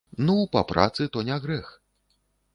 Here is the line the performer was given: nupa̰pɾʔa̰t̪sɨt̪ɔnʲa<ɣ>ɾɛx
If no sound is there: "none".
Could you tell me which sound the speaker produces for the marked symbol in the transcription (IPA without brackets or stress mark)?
ɣ